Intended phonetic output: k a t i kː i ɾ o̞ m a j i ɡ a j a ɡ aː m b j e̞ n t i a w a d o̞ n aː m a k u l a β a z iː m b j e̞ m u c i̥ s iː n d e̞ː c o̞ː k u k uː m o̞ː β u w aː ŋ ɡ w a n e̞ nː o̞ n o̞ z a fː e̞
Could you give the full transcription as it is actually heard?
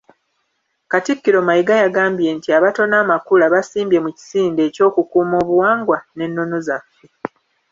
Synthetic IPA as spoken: k a t i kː i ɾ o̞ m a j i ɡ a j a ɡ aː m b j e̞ n t i a β a t o̞ n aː m a k u l a β a s iː m b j e̞ m u c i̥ s iː n d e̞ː c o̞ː k u k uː m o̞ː β u w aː ŋ ɡ w a n e̞ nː o̞ n o̞ z a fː e̞